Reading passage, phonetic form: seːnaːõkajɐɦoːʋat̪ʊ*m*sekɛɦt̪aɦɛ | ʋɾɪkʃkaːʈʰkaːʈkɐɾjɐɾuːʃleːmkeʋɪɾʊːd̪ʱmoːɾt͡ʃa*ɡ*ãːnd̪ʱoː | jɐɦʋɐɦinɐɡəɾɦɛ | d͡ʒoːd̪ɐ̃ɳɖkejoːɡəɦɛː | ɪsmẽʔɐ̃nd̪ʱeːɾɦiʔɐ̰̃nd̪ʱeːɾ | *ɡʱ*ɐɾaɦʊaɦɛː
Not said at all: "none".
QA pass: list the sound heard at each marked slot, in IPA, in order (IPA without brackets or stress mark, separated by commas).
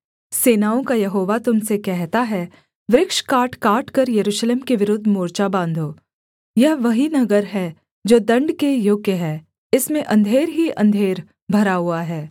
m, b, bʱ